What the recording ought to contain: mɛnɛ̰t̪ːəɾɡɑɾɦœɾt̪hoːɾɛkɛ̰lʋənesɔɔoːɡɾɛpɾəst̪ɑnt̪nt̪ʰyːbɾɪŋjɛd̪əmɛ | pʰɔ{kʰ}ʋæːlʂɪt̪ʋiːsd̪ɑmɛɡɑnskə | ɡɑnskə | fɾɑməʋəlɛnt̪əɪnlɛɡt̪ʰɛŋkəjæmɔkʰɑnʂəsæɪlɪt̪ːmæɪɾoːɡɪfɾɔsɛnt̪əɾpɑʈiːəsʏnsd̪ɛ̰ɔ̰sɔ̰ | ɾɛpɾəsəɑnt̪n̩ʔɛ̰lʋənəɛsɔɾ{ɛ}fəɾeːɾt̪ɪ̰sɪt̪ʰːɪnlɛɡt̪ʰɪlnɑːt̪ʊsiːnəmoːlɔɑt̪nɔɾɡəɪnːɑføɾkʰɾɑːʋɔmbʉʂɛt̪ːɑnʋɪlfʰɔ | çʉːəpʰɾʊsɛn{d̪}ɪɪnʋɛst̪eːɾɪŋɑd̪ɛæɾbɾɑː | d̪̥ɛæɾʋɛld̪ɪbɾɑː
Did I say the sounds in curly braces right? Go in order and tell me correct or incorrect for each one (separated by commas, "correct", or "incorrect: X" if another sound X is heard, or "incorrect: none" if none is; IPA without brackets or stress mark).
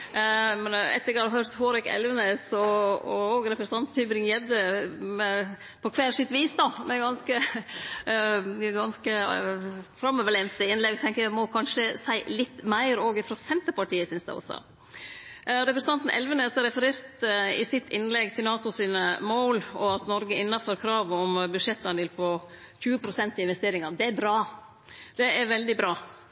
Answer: correct, correct, incorrect: t̪